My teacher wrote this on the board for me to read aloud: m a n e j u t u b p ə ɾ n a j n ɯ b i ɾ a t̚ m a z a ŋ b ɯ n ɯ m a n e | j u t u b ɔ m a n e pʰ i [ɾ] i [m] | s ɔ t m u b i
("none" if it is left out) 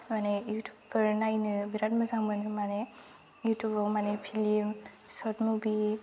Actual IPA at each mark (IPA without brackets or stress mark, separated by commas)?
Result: l, m